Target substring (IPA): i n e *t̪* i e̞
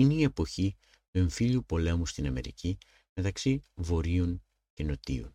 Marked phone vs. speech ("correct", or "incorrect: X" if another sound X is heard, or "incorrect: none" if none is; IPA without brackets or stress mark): incorrect: none